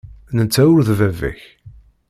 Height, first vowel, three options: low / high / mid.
mid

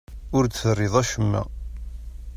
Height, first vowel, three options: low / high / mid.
high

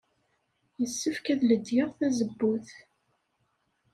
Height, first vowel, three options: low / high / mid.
mid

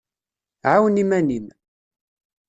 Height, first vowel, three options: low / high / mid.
low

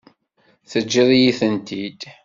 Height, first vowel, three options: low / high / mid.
mid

